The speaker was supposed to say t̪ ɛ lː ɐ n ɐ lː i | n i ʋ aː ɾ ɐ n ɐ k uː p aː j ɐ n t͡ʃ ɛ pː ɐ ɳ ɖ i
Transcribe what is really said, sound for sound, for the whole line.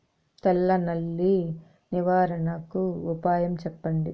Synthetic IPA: t̪ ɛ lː ɐ n ɐ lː i | n i ʋ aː ɾ ɐ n ɐ k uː p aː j ɐ m t͡ʃ ɛ pː ɐ ɳ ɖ i